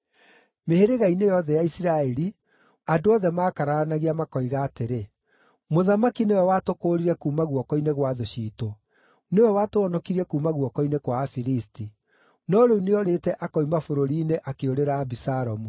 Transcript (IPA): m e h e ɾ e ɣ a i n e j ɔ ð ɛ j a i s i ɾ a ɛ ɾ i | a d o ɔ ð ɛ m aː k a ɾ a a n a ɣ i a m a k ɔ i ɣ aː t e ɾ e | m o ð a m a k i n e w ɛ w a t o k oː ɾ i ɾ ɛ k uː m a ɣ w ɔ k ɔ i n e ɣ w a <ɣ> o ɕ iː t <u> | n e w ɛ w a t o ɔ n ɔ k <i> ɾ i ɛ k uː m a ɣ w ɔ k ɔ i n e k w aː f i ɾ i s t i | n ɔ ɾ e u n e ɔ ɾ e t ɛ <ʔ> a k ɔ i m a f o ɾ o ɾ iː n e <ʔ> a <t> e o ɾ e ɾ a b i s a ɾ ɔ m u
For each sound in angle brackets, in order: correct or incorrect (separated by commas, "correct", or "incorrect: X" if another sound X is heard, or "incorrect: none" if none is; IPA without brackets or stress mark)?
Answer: incorrect: ð, incorrect: o, correct, correct, correct, incorrect: k